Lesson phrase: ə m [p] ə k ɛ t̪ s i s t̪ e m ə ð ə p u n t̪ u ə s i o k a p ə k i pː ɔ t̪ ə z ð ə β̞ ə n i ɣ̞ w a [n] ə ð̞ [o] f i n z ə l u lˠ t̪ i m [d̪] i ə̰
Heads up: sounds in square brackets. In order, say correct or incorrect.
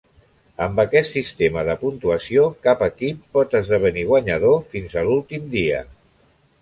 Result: incorrect: b, incorrect: ɲ, correct, correct

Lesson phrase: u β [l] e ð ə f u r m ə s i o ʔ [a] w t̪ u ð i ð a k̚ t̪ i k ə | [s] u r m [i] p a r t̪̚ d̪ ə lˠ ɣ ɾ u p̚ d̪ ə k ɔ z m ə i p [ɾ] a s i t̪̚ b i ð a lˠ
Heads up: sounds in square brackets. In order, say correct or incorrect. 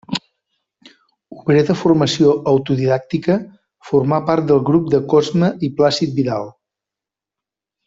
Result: incorrect: ɾ, incorrect: ə, incorrect: f, incorrect: a, incorrect: l

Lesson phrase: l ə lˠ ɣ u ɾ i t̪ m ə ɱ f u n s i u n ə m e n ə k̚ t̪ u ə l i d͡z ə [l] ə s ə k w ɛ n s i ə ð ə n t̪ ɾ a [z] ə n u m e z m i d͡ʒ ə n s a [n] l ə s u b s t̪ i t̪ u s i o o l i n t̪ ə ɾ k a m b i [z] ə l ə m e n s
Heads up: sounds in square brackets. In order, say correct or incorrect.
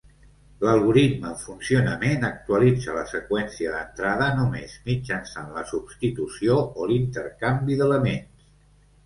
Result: correct, incorrect: ð, correct, incorrect: ð

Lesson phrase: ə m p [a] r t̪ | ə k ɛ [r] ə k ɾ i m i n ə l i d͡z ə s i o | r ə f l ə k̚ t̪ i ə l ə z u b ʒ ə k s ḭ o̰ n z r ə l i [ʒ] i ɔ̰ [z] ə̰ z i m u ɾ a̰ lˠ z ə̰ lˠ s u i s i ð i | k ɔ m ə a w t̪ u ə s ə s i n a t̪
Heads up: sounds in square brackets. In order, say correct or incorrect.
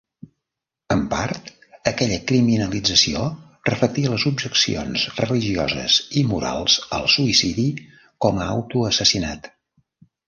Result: correct, incorrect: ʎ, correct, correct

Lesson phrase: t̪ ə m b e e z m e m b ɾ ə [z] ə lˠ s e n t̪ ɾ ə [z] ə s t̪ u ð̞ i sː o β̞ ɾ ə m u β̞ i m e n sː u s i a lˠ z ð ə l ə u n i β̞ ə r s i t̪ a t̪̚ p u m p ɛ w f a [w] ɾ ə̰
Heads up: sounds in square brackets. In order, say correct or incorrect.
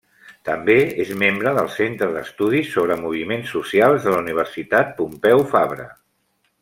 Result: incorrect: ð, incorrect: ð, incorrect: β

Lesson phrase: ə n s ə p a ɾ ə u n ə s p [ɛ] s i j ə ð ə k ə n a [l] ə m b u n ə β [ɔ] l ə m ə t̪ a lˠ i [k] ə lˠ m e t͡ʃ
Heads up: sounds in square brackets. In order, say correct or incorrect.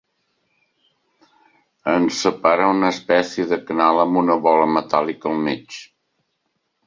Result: correct, correct, correct, correct

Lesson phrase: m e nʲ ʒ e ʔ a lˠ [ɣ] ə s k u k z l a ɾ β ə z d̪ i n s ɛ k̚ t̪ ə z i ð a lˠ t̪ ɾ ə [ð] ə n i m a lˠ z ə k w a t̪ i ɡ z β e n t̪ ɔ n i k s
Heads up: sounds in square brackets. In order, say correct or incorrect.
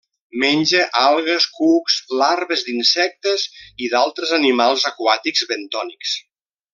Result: correct, incorrect: z

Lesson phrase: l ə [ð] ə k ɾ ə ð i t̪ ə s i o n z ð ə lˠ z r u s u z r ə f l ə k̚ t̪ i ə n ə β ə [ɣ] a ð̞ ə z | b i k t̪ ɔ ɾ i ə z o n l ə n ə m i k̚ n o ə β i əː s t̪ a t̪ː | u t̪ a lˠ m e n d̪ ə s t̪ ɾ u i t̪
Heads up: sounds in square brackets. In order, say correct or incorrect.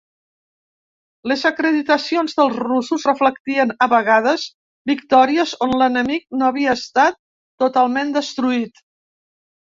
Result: incorrect: z, correct

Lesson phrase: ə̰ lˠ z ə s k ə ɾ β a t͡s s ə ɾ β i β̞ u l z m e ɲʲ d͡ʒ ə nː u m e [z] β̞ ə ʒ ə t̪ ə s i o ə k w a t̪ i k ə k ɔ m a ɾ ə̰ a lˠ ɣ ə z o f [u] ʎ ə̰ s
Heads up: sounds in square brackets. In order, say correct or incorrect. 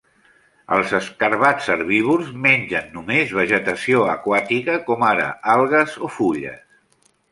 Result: correct, correct

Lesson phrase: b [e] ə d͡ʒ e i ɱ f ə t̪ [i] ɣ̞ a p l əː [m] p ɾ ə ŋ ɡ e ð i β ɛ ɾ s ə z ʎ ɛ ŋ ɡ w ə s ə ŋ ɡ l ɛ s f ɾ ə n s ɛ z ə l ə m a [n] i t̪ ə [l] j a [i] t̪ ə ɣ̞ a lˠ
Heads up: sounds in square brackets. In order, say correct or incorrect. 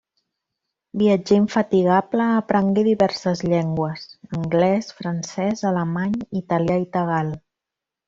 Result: incorrect: i, correct, incorrect: none, incorrect: ɲ, correct, correct

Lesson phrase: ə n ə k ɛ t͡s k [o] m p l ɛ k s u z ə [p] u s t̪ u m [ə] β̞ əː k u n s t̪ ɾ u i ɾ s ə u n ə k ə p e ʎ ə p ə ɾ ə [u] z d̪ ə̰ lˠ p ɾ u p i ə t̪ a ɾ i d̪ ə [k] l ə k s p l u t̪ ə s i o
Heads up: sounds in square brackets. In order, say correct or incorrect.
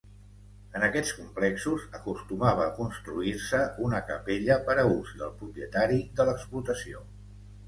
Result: incorrect: u, incorrect: k, incorrect: a, correct, incorrect: none

